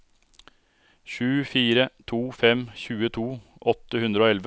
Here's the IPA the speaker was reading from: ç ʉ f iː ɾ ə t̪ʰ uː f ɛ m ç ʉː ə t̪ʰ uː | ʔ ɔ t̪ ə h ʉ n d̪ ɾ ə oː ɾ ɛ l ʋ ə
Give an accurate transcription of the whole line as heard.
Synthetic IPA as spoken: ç ʉː f iː ɾ ə t̪ʰ uː f ɛ m ç ʉː ə t̪ʰ uː | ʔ ɔ t̪ ə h ʉ n d̪ ɾ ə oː ɛ l ʋ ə